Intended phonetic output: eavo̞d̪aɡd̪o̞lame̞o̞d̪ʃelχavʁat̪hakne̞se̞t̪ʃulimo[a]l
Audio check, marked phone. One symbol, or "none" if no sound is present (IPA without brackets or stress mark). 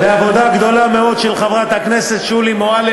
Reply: a